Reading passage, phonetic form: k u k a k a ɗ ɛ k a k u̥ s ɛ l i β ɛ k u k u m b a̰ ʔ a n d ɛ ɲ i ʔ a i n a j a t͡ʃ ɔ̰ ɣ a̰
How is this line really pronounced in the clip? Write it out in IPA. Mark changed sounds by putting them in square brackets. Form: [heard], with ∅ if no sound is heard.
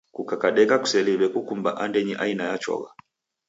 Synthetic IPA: k u k a k a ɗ ɛ k a k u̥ s ɛ l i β ɛ k u k u m b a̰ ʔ a n d ɛ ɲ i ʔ a i n a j a t͡ʃ ɔ̰ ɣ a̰